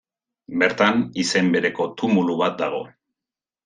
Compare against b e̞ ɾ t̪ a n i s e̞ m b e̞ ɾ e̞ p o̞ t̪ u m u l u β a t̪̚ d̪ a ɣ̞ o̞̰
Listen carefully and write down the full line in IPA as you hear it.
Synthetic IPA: b e̞ ɾ t̪ a n i s e̞ m b e̞ ɾ e̞ k o̞ t̪ u m u l u β a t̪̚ d̪ a ɣ̞ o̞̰